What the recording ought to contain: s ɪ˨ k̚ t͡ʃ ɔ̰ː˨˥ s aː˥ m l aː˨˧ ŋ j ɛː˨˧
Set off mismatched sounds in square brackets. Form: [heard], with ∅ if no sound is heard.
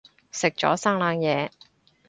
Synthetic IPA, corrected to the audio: s ɪ˨ k̚ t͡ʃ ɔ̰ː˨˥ s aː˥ [ŋ] l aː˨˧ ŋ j ɛː˨˧